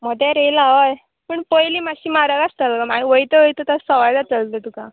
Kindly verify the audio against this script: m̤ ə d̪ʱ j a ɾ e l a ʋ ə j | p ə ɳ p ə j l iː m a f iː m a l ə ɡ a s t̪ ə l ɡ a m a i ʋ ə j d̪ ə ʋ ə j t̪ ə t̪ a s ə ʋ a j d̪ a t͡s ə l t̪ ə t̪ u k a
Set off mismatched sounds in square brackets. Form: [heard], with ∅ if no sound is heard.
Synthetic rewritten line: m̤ ə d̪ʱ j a ɾ e l a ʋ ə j | p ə ɳ p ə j l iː m a [ɕ] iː m a [ɾ] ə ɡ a s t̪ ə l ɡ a m a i ʋ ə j [t̪] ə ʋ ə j t̪ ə t̪ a s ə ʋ a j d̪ a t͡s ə l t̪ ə t̪ u k a